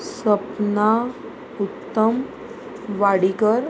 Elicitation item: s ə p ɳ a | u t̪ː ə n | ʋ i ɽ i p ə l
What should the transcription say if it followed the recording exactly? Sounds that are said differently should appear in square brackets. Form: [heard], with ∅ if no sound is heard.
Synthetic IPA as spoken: s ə p [n] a | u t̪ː ə [m] | ʋ [a] ɽ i [k] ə [ɾ]